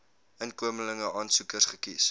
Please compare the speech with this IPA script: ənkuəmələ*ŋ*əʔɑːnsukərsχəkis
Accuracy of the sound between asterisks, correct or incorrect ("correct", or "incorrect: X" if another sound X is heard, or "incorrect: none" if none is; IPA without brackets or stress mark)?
correct